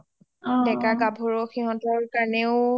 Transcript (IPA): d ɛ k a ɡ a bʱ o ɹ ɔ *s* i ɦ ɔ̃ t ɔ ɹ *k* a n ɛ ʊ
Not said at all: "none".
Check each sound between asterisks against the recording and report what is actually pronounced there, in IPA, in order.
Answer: x, k

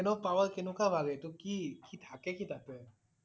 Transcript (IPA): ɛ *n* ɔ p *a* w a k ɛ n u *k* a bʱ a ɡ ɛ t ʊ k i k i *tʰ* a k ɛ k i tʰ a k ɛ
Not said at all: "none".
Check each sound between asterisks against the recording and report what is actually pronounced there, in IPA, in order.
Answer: n, a, k, tʰ

